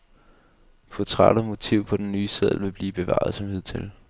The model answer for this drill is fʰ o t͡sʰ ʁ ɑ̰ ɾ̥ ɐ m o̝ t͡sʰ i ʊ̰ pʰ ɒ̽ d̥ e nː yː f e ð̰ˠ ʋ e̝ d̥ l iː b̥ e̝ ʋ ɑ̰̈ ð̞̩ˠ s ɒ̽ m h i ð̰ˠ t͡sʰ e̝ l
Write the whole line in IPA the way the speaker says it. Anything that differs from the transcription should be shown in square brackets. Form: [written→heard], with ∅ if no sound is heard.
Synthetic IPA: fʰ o t͡sʰ ʁ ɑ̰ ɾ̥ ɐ m o̝ t͡sʰ i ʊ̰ pʰ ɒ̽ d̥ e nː yː [f→s] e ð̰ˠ ʋ e̝ [d̥→b̥] l iː b̥ e̝ ʋ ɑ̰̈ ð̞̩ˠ s ɒ̽ m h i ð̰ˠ t͡sʰ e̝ l